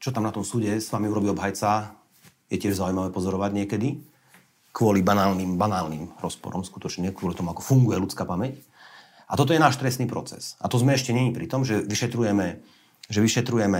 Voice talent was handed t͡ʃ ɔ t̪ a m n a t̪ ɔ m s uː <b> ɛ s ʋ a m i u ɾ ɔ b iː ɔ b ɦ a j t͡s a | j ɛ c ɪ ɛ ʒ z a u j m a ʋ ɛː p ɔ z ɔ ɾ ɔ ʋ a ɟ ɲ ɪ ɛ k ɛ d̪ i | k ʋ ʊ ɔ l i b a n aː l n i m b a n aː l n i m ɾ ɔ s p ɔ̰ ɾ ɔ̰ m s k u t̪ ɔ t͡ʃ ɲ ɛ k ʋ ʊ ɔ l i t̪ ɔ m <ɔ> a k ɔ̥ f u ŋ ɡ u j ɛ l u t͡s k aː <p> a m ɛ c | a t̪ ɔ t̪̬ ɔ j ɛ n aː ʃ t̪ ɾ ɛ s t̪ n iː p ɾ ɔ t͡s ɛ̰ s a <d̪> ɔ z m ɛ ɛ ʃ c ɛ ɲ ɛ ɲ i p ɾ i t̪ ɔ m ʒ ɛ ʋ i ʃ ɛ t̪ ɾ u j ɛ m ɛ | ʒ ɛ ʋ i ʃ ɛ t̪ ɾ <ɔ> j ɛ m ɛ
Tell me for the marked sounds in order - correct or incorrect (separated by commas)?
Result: incorrect, incorrect, correct, incorrect, incorrect